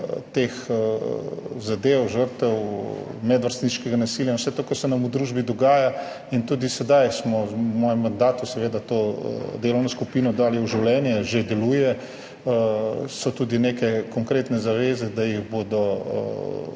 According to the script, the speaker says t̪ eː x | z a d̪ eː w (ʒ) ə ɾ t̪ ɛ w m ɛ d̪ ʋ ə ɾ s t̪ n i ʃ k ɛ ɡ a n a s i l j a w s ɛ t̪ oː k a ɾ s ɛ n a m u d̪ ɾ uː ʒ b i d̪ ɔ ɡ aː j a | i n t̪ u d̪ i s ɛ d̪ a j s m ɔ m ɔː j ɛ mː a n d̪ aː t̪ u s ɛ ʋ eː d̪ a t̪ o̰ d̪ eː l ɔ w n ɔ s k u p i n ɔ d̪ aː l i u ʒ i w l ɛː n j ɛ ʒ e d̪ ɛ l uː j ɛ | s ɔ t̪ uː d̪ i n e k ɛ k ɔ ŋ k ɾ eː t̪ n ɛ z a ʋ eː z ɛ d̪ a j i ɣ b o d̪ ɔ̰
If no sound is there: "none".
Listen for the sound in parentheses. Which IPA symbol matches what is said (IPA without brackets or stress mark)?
ʒ